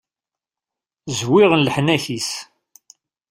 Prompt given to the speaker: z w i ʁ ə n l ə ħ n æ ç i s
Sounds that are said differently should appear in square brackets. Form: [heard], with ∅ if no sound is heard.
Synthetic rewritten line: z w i ʁ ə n l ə ħ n æ ç i s